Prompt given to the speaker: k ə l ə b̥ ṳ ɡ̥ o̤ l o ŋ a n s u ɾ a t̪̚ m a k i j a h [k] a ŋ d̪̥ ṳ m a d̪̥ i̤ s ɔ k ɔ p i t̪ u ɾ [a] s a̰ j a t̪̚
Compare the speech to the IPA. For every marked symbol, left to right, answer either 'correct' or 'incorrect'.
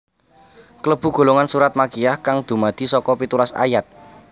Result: correct, correct

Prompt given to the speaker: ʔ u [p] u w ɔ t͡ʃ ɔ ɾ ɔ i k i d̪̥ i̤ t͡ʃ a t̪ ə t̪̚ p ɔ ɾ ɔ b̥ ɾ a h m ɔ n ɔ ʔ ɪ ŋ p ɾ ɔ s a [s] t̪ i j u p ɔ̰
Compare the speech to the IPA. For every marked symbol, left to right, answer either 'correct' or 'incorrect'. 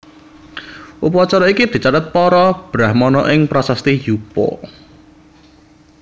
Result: correct, correct

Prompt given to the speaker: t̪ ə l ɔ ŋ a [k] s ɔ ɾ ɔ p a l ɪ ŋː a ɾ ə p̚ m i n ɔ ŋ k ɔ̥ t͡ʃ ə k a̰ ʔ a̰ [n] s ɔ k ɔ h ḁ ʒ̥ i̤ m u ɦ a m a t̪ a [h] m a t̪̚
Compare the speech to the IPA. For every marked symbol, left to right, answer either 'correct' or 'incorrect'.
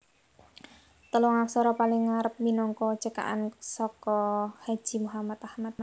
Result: correct, correct, correct

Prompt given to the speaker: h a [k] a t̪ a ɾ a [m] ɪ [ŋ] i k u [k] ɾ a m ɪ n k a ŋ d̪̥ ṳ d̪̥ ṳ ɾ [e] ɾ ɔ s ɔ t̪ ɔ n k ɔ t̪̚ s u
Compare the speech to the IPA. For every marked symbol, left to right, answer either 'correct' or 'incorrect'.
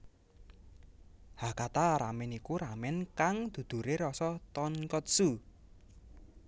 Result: correct, correct, incorrect, incorrect, correct

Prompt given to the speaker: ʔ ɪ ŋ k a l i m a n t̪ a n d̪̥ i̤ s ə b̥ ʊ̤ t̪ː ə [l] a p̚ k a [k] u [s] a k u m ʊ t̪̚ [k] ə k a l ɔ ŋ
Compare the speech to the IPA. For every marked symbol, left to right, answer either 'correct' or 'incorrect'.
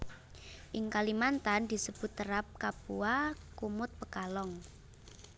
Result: incorrect, incorrect, incorrect, incorrect

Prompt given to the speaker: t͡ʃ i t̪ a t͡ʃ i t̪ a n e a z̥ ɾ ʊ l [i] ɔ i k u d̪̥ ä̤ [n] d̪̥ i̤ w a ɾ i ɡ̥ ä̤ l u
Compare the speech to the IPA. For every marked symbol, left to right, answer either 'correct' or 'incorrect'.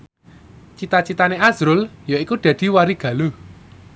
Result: incorrect, incorrect

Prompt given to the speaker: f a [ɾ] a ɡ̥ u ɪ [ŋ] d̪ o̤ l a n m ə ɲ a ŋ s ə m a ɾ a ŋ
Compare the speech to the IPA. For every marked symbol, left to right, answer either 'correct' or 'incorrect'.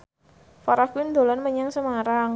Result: correct, incorrect

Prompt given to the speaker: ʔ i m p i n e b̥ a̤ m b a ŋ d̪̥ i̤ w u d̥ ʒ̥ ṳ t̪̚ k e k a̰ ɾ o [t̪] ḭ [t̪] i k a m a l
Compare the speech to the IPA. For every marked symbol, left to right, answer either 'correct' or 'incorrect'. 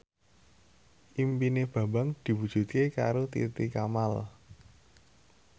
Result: correct, correct

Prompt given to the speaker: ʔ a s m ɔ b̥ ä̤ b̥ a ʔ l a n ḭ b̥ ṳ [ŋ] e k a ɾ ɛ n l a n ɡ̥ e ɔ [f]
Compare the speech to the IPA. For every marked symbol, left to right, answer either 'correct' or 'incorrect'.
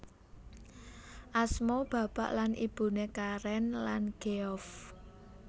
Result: incorrect, correct

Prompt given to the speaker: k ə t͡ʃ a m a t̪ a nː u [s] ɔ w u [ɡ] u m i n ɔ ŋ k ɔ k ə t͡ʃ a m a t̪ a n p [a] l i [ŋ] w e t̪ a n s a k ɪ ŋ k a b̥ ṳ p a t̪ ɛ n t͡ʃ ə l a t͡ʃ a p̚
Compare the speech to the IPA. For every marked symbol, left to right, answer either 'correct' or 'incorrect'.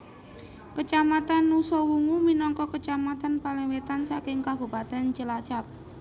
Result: correct, incorrect, correct, correct

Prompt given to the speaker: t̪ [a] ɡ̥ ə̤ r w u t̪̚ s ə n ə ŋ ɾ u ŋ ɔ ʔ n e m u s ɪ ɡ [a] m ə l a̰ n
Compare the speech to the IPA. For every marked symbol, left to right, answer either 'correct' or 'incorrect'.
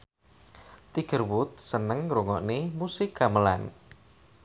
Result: incorrect, correct

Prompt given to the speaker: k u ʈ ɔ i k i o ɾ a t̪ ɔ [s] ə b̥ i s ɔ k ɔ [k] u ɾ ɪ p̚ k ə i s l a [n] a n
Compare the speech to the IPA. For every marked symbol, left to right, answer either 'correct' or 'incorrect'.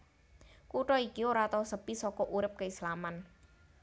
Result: correct, incorrect, incorrect

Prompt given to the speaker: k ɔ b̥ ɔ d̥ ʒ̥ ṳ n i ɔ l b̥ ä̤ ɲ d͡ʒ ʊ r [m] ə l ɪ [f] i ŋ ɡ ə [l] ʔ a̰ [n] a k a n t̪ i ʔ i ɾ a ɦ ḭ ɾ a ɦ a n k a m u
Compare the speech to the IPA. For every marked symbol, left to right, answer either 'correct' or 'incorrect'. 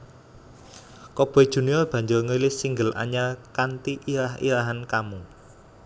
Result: incorrect, incorrect, correct, incorrect

